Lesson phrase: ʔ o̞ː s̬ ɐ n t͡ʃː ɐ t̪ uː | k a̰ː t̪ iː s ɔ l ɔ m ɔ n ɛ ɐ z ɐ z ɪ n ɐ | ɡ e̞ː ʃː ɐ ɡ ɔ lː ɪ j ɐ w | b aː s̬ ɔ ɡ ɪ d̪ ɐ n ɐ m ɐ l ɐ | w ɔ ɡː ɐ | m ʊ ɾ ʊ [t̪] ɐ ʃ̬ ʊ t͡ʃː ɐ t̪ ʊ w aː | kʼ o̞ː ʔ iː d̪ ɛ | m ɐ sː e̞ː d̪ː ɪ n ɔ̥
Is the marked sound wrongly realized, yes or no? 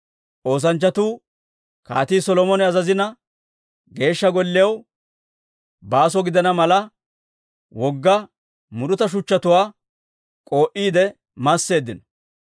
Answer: no